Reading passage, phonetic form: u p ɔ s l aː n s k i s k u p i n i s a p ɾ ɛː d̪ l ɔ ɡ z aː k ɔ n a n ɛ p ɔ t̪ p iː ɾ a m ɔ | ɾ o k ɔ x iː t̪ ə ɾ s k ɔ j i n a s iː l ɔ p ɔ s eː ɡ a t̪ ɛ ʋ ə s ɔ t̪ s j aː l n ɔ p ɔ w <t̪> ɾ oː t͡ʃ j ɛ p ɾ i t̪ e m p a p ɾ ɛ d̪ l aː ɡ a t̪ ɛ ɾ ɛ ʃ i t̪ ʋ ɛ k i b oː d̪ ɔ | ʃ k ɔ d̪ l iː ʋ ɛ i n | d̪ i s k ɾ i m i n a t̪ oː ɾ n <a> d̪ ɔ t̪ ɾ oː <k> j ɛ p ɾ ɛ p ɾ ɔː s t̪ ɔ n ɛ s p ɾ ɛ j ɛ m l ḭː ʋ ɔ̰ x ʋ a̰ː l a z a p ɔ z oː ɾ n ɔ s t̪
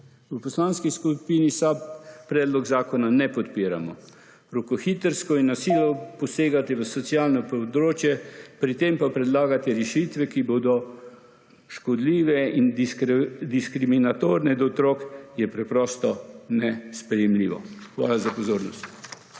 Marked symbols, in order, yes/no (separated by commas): no, no, yes